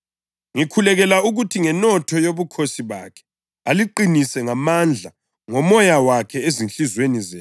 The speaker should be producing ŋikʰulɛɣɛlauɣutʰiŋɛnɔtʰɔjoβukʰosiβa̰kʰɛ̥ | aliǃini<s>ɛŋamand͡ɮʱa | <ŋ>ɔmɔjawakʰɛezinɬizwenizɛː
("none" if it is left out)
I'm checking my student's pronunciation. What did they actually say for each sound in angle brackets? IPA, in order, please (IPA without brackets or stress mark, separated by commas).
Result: s, ŋ